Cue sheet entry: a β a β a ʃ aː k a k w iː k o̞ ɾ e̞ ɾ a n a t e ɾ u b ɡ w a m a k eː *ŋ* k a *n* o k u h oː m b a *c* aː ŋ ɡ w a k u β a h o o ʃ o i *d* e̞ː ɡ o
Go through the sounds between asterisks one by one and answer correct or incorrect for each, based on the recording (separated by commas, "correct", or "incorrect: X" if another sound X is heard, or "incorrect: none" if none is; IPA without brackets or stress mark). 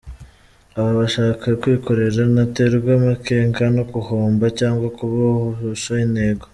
correct, correct, correct, incorrect: n